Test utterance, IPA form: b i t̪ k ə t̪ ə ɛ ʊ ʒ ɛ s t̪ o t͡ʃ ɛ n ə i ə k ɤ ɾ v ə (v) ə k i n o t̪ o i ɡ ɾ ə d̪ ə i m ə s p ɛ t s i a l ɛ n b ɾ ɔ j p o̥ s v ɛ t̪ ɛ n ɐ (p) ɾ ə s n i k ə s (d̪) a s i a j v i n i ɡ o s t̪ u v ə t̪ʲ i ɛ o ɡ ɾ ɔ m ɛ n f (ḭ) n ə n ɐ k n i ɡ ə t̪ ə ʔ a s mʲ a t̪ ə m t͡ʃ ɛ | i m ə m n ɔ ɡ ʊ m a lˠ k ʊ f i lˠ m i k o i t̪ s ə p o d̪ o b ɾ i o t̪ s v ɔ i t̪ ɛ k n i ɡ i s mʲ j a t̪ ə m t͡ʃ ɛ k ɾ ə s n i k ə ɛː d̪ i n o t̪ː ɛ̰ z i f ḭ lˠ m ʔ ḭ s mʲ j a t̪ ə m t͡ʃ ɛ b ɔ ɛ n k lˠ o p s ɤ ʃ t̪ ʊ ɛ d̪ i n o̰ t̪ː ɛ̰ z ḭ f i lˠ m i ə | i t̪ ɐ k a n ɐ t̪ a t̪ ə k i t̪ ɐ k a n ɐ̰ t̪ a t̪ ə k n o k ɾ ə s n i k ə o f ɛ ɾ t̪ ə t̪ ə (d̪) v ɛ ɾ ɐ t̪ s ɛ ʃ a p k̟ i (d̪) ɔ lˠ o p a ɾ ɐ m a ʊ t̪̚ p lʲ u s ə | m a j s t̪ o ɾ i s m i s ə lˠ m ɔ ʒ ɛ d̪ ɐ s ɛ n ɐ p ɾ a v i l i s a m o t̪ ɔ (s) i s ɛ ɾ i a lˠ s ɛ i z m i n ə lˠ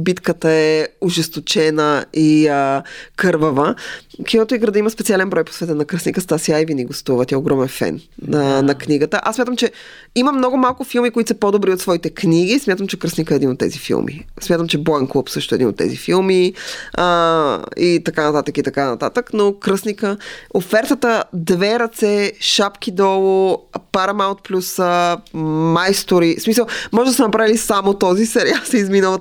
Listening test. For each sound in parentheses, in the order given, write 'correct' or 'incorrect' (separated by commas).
correct, incorrect, incorrect, incorrect, correct, correct, incorrect